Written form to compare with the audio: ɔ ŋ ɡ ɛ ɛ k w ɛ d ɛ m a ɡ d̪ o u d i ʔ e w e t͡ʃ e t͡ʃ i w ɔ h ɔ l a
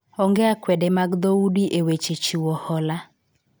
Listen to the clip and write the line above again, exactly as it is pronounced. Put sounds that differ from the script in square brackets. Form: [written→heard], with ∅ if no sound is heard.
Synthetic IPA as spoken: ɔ ŋ ɡ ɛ [ɛ→a] k w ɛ d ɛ m a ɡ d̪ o u d i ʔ e w e t͡ʃ e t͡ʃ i w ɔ h ɔ l a